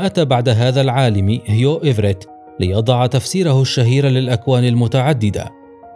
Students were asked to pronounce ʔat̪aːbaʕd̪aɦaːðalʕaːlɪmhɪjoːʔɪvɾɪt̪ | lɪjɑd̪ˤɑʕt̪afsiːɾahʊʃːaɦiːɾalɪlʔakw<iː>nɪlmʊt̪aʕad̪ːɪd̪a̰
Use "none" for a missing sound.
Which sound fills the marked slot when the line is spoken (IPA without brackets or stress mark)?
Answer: aː